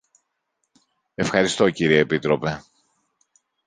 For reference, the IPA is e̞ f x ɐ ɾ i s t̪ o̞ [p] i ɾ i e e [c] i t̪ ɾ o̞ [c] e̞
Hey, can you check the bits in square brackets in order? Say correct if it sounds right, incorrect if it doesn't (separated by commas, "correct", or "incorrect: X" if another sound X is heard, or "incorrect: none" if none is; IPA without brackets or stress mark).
incorrect: c, incorrect: p, incorrect: p